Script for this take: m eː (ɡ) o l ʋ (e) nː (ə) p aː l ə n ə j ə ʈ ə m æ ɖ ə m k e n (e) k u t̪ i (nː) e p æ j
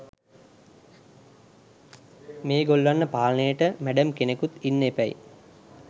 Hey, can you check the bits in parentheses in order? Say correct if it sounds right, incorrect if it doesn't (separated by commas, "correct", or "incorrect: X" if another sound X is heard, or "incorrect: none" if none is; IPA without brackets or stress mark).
correct, incorrect: a, correct, correct, correct